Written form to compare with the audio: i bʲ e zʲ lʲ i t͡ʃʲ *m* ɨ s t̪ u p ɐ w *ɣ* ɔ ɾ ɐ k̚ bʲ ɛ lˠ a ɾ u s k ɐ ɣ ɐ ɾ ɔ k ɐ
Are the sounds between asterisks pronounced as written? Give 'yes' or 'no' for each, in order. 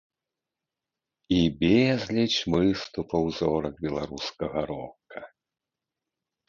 yes, no

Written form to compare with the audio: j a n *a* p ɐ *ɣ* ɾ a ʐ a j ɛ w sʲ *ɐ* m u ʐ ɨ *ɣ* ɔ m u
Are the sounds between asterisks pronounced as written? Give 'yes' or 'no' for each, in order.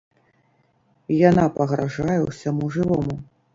yes, yes, no, no

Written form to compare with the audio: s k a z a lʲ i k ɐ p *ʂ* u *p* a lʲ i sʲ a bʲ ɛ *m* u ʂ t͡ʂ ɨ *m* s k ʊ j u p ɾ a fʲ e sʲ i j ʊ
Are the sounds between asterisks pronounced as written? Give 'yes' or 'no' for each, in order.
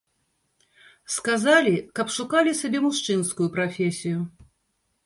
yes, no, yes, no

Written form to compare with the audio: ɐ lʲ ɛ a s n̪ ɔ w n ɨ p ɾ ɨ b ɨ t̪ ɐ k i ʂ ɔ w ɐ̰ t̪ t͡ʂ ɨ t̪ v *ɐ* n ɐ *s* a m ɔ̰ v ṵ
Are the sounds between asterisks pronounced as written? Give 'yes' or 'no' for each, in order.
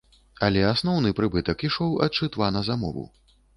no, no

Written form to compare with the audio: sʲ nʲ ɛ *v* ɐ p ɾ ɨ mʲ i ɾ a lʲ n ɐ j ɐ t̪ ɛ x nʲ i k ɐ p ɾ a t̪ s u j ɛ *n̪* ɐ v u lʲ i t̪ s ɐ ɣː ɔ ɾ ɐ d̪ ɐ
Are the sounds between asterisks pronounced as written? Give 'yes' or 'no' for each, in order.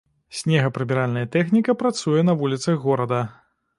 no, yes

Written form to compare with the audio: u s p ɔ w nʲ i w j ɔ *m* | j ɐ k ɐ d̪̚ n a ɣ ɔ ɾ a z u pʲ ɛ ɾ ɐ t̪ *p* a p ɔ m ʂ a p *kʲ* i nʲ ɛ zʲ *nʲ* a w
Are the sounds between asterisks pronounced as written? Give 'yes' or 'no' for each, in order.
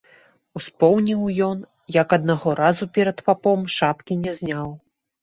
no, yes, yes, yes

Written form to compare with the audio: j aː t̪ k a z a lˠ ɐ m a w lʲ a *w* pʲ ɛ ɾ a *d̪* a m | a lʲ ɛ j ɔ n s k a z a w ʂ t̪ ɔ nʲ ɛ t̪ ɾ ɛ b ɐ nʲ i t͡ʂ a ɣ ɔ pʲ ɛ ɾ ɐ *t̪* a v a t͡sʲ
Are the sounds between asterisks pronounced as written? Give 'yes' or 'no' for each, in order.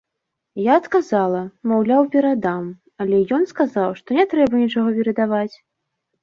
yes, yes, no

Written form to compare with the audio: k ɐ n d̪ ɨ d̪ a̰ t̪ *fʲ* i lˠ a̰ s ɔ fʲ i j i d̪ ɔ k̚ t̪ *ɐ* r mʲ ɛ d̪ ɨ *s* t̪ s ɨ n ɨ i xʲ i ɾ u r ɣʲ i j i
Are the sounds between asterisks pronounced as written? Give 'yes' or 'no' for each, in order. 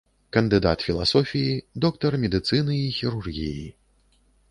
yes, yes, no

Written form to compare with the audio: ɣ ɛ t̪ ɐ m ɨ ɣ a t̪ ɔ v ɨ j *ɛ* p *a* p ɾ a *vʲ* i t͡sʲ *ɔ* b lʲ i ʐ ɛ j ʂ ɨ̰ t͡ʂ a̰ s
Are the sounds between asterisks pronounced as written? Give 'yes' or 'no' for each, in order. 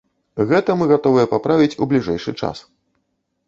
yes, yes, yes, no

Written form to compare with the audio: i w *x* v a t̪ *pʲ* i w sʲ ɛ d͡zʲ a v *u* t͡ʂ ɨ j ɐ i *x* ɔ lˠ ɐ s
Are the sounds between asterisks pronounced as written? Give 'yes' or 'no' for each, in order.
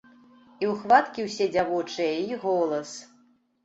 yes, no, no, no

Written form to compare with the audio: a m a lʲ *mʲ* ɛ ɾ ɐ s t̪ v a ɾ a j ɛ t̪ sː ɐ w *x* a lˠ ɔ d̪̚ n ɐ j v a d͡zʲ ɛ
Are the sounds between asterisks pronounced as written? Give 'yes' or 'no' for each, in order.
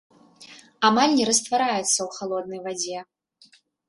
no, yes

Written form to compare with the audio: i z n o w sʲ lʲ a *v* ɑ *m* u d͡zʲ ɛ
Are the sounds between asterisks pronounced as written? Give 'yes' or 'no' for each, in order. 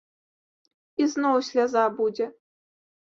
no, no

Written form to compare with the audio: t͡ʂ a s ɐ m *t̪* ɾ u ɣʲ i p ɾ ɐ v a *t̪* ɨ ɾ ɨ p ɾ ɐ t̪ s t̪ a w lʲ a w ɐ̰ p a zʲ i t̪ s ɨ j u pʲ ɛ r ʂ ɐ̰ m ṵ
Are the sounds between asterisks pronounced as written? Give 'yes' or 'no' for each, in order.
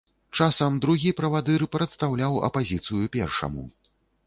no, no

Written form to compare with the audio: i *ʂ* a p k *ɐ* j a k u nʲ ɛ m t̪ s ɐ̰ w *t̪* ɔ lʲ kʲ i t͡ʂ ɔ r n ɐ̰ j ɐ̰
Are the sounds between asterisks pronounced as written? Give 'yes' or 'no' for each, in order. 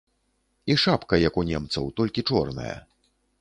yes, yes, yes

